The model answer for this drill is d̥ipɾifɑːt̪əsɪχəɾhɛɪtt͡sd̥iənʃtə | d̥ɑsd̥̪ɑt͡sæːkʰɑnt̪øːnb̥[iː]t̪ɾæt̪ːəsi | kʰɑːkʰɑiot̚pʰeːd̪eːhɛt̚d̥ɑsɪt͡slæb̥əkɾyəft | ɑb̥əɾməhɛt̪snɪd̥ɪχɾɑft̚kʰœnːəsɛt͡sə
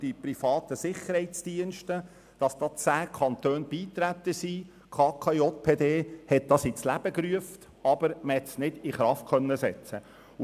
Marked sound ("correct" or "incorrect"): correct